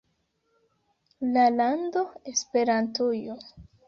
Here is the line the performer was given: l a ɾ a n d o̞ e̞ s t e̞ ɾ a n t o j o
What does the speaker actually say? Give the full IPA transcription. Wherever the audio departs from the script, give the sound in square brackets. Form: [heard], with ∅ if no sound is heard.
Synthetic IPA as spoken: l a [l] a n d o̞ e̞ s [p] e̞ ɾ a n t [u] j o